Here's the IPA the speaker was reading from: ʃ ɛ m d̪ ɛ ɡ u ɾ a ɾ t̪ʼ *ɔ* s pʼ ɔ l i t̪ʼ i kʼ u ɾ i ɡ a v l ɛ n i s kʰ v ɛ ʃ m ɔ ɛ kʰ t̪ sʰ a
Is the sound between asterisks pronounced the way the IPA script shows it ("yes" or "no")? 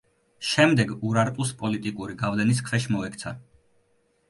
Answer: no